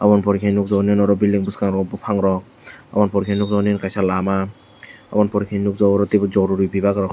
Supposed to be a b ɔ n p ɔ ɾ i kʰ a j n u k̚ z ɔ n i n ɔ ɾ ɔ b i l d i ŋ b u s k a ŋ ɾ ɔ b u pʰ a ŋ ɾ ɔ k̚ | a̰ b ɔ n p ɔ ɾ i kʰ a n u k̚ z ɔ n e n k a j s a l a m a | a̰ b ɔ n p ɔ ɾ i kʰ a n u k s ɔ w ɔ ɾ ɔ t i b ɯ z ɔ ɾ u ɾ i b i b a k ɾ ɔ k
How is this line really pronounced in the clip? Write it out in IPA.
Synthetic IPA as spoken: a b ɔ n p ɔ ɾ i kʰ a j n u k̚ z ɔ n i n ɔ ɾ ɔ b i l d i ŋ b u s k a ŋ ɾ ɔ b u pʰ a ŋ ɾ ɔ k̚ | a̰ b ɔ n p ɔ ɾ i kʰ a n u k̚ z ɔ n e n k a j s a l a m a | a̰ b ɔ n p ɔ ɾ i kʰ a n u k z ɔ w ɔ ɾ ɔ t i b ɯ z ɔ ɾ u ɾ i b i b a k ɾ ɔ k